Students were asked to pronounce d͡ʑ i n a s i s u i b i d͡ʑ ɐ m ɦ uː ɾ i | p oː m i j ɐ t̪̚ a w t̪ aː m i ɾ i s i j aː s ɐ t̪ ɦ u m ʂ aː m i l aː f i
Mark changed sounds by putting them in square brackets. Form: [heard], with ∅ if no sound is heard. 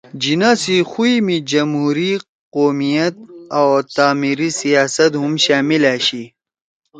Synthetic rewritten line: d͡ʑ i n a s i [x] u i [m] i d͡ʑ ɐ m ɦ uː ɾ i | [q] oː m i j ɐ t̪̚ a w t̪ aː m i ɾ i s i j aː s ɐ t̪ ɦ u m [ɕ] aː m i l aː [ɕ] i